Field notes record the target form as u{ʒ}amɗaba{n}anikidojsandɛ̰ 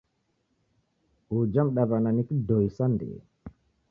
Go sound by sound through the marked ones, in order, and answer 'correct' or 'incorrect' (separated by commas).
incorrect, correct